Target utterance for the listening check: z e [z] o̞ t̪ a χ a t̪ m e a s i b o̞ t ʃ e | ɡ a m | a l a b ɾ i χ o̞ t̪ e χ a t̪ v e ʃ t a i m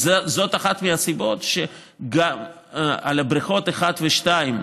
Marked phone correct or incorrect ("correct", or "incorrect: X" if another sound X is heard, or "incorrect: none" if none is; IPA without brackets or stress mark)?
correct